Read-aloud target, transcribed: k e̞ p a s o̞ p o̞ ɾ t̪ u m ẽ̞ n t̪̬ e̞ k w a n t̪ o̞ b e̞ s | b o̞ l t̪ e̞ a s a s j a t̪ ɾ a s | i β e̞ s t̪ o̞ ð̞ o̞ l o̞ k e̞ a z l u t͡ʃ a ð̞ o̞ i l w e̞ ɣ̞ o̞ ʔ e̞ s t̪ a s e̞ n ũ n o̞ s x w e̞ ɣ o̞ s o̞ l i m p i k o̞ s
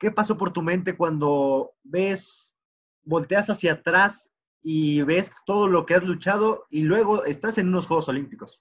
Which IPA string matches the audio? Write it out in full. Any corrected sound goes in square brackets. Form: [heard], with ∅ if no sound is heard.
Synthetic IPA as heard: k e̞ p a s o̞ p o̞ ɾ t̪ u m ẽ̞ n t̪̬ e̞ k w a n [d̪] o̞ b e̞ s | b o̞ l t̪ e̞ a s a s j a t̪ ɾ a s | i β e̞ s t̪ o̞ ð̞ o̞ l o̞ k e̞ a z l u t͡ʃ a ð̞ o̞ i l w e̞ ɣ̞ o̞ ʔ e̞ s t̪ a s e̞ n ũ n o̞ s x w e̞ ɣ o̞ s o̞ l i m p i k o̞ s